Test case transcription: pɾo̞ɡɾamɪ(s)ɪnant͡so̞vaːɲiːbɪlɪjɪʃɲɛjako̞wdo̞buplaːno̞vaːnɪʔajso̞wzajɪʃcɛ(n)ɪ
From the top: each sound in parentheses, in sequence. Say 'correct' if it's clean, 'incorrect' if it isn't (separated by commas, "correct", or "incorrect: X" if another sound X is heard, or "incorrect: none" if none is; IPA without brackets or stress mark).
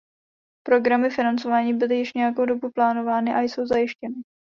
incorrect: f, correct